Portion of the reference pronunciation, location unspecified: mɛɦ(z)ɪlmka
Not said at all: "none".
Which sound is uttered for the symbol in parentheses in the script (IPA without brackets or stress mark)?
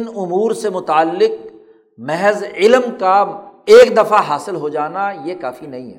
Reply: z